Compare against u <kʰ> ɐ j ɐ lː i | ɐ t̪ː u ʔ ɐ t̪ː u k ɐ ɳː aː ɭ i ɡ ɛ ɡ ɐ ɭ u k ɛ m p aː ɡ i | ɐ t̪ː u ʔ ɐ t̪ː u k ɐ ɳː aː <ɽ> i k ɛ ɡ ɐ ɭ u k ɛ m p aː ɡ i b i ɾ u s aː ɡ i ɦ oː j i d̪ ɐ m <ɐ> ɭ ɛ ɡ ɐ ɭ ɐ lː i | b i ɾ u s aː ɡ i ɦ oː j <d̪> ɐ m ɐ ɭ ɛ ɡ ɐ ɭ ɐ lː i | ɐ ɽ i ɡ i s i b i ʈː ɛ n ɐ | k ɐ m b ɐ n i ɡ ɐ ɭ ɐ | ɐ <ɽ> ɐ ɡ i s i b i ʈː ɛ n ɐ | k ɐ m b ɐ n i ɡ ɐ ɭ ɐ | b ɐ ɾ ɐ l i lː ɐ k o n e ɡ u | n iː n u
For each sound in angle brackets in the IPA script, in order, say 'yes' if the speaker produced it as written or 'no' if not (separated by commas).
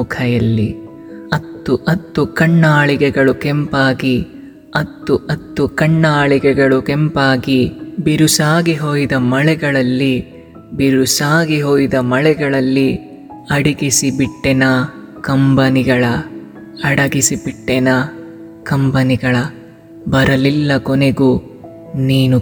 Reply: yes, no, yes, yes, yes